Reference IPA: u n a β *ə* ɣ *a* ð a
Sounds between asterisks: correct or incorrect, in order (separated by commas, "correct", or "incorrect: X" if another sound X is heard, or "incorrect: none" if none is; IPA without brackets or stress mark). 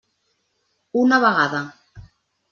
incorrect: a, correct